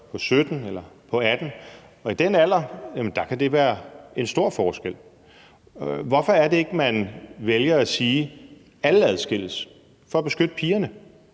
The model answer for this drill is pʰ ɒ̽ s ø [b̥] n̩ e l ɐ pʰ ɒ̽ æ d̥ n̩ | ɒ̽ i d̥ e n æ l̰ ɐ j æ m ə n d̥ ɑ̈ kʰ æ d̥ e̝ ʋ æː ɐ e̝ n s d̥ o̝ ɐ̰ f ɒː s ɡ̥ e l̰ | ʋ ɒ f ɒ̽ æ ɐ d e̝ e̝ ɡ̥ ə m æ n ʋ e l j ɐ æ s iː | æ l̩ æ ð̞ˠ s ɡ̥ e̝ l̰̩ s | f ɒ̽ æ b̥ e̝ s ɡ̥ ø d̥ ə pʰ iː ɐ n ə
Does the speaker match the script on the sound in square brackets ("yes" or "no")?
no